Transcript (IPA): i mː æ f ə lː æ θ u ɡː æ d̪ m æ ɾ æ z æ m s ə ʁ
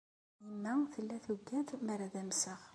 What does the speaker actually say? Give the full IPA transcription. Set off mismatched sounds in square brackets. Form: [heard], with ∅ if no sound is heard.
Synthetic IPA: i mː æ [θ] ə lː æ θ u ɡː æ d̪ m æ ɾ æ [ð] æ m s ə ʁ